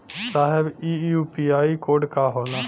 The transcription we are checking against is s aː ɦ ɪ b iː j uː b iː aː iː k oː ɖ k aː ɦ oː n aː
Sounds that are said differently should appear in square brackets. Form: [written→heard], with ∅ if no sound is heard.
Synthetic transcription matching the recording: s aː ɦ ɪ b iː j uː [b→p] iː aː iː k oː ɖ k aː ɦ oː n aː